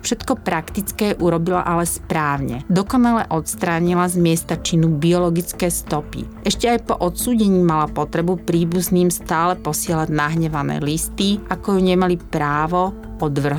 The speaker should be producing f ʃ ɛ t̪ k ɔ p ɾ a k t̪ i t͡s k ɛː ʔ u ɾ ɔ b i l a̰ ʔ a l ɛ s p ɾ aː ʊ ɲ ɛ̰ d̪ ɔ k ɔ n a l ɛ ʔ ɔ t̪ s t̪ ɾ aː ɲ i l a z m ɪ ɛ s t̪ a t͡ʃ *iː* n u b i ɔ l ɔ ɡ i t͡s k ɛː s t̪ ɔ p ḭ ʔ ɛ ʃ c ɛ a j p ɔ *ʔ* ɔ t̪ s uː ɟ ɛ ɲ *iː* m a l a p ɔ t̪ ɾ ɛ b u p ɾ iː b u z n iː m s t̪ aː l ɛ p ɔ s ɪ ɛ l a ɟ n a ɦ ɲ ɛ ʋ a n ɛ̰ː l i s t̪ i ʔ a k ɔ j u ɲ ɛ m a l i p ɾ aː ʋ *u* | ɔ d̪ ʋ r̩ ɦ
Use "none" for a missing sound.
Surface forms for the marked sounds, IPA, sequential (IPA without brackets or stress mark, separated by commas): i, ʔ, iː, ɔ